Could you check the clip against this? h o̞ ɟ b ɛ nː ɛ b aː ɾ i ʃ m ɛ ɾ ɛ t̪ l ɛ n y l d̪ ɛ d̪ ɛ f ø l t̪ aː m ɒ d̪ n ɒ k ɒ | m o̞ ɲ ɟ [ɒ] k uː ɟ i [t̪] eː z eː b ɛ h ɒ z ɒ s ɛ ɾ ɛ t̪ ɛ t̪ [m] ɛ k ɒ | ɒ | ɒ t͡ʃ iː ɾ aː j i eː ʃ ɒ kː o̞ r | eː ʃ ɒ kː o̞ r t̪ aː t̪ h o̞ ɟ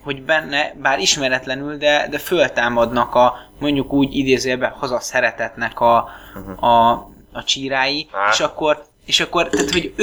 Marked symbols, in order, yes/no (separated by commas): no, no, no